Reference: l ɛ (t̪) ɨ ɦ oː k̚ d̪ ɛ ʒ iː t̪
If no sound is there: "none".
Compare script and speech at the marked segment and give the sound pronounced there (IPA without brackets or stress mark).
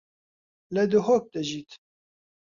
d̪